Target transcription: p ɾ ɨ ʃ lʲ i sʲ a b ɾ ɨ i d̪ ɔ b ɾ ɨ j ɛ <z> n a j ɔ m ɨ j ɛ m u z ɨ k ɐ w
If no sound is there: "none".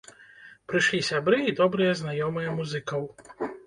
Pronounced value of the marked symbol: z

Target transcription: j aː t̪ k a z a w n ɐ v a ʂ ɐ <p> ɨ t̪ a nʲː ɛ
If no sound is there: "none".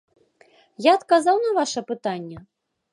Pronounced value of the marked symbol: p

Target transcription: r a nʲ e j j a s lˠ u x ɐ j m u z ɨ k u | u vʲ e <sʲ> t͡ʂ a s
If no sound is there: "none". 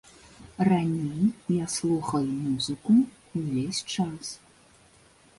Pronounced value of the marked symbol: sʲ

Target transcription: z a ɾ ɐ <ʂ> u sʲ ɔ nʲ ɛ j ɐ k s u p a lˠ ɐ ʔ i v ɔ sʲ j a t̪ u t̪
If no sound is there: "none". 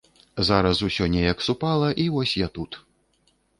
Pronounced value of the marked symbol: s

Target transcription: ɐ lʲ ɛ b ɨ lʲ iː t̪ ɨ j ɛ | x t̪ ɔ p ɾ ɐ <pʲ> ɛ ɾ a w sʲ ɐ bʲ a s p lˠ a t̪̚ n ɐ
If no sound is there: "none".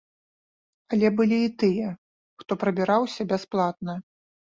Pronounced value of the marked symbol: bʲ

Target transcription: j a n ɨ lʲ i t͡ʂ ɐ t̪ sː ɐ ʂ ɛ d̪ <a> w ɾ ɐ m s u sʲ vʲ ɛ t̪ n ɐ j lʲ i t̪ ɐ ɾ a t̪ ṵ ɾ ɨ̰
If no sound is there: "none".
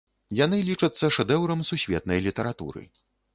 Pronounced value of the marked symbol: ɛ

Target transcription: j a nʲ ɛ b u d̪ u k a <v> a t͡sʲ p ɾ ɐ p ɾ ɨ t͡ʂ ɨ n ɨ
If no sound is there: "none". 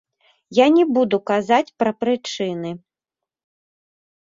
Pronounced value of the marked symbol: z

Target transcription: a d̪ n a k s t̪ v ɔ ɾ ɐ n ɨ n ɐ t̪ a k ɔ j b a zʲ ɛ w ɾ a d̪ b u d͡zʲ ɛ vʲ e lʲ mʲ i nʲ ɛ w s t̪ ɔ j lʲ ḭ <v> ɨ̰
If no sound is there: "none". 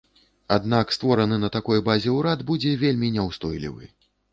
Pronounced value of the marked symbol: v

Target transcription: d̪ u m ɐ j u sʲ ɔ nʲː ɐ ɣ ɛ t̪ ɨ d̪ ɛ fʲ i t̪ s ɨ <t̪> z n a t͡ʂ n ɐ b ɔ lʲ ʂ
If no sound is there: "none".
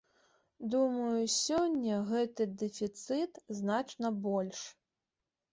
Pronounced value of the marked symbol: t̪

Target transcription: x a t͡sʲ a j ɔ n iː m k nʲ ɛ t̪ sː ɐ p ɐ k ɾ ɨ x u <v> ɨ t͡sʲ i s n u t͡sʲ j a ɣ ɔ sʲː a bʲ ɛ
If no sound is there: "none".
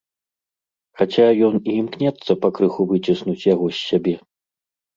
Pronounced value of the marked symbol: v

